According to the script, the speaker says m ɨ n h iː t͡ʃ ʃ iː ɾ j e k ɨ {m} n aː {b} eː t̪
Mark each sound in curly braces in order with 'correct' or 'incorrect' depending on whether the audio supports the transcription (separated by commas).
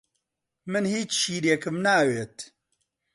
correct, incorrect